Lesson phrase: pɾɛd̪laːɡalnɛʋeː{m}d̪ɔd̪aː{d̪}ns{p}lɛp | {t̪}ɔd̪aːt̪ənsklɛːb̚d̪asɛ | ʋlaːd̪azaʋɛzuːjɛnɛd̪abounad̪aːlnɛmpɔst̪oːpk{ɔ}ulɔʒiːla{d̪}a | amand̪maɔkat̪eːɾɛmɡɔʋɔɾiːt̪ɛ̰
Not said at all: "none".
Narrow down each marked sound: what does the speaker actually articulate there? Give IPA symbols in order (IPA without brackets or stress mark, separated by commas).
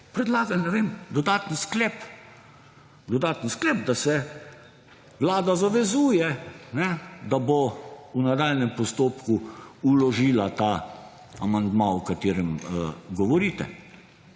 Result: m, t̪, k, d̪, u, t̪